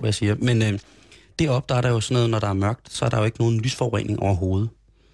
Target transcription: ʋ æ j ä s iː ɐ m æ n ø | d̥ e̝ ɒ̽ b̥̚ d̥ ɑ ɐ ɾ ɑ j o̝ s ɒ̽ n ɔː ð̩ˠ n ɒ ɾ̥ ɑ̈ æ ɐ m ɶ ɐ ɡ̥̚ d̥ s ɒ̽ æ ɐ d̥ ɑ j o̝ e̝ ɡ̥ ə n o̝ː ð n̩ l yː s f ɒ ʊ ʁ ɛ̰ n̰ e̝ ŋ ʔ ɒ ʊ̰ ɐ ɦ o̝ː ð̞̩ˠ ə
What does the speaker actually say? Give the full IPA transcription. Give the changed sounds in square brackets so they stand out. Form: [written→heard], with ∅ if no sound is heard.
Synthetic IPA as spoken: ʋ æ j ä s iː ɐ m [æ→e] n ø | d̥ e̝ ɒ̽ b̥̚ d̥ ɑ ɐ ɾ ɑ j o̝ s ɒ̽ n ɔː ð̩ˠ n ɒ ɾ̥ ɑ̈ æ ɐ m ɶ ɐ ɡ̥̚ d̥ s ɒ̽ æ ɐ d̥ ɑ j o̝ e̝ ɡ̥ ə n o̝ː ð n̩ l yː s f ɒ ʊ ʁ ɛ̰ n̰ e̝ ŋ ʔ ɒ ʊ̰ ɐ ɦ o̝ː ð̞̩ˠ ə